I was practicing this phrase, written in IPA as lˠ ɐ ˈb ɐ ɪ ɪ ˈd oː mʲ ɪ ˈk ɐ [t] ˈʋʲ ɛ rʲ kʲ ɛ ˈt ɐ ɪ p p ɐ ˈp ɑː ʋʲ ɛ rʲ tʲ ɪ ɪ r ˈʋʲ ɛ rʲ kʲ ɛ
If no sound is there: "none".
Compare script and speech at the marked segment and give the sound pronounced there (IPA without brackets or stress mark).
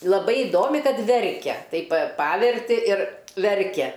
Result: t